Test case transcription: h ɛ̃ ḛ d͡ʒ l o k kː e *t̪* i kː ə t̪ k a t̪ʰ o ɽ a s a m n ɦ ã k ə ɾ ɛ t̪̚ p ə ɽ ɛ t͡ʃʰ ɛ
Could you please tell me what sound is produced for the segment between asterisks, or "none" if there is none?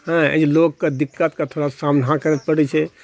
d̪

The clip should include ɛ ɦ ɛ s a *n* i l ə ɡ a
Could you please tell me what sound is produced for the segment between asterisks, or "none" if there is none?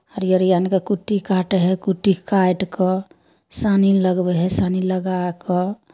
n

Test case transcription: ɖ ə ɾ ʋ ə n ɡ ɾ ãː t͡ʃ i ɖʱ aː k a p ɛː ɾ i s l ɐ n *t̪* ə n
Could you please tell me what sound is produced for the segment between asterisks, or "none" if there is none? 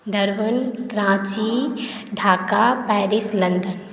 d̪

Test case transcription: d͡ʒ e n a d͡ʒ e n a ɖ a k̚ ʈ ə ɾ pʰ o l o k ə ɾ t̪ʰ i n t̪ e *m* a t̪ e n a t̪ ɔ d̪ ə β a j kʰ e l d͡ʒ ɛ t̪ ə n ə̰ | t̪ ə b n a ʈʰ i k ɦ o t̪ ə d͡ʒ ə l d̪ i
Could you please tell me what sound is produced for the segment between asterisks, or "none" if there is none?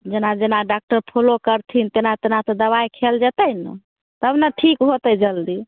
n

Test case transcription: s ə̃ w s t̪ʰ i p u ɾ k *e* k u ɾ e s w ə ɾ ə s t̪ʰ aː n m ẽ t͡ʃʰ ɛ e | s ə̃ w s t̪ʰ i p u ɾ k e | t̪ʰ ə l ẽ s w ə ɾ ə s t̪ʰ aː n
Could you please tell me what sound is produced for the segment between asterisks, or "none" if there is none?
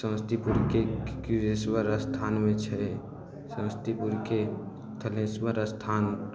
e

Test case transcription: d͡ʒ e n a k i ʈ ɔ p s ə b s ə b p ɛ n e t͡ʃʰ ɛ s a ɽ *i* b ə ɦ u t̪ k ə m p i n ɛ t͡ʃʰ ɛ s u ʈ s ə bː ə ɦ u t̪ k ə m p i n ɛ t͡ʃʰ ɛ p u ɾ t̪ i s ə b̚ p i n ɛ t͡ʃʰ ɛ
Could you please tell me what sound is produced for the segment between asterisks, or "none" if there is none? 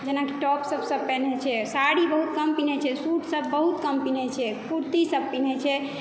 i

